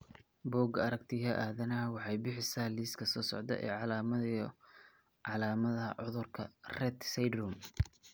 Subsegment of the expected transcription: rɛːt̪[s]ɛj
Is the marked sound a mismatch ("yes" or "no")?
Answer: no